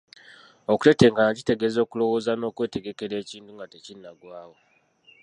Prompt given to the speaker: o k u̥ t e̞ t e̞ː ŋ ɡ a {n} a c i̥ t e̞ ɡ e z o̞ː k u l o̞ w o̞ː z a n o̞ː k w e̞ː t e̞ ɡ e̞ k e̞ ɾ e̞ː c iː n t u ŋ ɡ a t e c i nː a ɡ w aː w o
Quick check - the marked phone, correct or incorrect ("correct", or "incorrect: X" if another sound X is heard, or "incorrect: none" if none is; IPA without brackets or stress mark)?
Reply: correct